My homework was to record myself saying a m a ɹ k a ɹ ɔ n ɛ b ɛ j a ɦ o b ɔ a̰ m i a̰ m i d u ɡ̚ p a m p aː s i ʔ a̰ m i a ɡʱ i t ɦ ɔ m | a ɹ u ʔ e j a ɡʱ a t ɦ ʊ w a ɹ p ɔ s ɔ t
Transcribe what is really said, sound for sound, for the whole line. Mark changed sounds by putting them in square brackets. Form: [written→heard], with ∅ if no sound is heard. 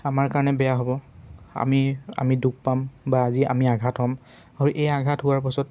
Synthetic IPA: a m a ɹ k a ɹ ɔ n ɛ b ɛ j a ɦ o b ɔ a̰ m i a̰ m i d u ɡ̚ p a m [p→b] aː [s→z] i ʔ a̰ m i a ɡʱ [i→a] t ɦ ɔ m | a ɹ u ʔ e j a ɡʱ a t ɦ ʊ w a ɹ p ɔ s ɔ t